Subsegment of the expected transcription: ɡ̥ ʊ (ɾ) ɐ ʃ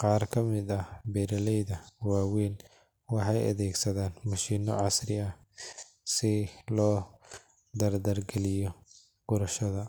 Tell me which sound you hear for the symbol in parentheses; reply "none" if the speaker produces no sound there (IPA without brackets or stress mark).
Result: ɾ